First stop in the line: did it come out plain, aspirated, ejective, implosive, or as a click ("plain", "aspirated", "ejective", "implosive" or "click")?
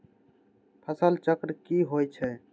aspirated